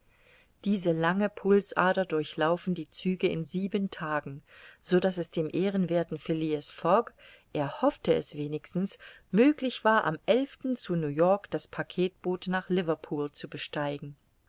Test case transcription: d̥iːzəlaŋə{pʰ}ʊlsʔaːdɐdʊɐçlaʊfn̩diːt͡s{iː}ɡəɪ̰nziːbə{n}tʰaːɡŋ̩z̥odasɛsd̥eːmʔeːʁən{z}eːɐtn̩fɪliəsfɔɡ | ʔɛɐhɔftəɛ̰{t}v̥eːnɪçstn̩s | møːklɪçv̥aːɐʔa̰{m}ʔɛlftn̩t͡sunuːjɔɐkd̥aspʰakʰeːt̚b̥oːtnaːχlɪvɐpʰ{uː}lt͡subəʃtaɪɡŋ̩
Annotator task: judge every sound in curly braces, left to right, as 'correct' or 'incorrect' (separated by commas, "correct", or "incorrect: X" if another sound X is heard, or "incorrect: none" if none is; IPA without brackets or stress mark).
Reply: correct, incorrect: yː, correct, incorrect: v, incorrect: s, correct, correct